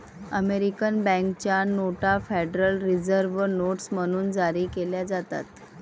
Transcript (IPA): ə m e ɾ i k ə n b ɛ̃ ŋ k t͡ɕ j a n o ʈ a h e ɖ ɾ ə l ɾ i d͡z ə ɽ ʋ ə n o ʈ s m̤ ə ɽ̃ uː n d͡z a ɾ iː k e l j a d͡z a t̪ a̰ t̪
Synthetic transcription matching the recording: ə m e ɾ i k ə n b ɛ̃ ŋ k t͡ɕ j a n o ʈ a f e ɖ ɾ ə l ɾ i d͡z ə ɾ ʋ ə n o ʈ s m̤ ə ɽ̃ uː n d͡z a ɾ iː k e l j a d͡z a t̪ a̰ t̪

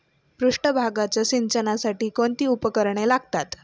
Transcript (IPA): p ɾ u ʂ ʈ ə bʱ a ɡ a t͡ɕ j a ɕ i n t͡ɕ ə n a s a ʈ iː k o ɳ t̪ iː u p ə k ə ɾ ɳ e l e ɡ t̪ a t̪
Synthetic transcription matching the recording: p ɾ u ʂ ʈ ə bʱ a ɡ a t͡ɕ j a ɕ i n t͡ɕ ə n a s a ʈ iː k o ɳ t̪ iː u p ə k ə ɾ ɳ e l a ɡ t̪ a t̪

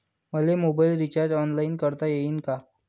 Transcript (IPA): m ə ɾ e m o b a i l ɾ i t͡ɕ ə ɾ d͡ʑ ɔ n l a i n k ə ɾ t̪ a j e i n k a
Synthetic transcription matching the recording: m ə l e m o b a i l ɾ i t͡ɕ a ɾ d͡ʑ ɔ n l a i n k ə ɾ t̪ a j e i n k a

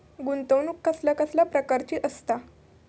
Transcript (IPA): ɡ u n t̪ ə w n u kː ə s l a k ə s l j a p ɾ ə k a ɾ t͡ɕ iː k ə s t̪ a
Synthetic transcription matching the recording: ɡ u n t̪ ə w n u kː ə s l a k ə s l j a p ɾ ə k a ɾ t͡ɕ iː ʔ ə s t̪ a

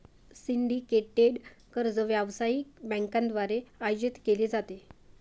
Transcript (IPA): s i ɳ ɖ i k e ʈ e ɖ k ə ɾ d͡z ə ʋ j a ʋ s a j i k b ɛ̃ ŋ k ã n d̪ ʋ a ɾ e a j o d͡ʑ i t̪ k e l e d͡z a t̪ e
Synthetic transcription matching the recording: s i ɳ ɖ i k e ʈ e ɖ k ə ɾ d͡z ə ʋ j a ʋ s a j i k b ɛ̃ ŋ k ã n d̪ ʋ a ɾ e a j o d͡ʑ i t̪ k e l e d͡z a t̪ e

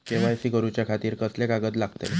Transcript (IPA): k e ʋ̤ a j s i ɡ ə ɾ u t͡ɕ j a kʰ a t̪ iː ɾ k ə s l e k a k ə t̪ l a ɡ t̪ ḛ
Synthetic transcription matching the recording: k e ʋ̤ a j s i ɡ ə ɾ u t͡ɕ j a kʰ a t̪ iː ɾ k ə s l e k a ɡ ə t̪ l a ɡ t̪ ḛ

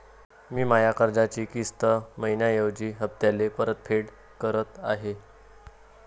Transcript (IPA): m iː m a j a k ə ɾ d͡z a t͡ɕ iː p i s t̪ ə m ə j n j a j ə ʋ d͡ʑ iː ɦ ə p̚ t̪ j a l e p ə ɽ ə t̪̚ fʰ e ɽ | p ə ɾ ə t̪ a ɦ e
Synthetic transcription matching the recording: m iː m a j a k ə ɾ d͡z a t͡ɕ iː k i s t̪ ə m ə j n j a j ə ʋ d͡ʑ iː ɦ ə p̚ t̪ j a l e p ə ɾ ə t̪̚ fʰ e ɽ | k ə ɾ ə t̪ a ɦ e

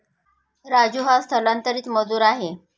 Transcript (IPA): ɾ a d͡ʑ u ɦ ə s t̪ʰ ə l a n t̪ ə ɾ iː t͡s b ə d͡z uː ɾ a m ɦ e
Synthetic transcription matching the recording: ɾ a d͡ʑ u ɦ a s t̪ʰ ə l a n t̪ ə ɾ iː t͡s m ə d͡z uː ɾ a ɦ e

